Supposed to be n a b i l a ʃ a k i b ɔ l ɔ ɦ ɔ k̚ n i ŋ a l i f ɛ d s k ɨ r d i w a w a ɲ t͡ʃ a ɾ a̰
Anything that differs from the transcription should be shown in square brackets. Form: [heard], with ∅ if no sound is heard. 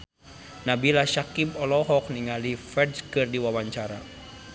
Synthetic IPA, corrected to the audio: n a b i l a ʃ a k i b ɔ l ɔ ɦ ɔ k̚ n i ŋ a l i f ɛ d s k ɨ r d i w a w a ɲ t͡ʃ a ɾ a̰